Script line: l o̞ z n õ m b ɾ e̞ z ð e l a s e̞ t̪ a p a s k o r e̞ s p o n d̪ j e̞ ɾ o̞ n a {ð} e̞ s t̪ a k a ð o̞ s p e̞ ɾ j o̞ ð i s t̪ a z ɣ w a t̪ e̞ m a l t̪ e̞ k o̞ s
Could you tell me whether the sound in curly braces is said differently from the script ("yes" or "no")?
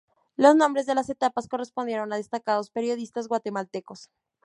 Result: no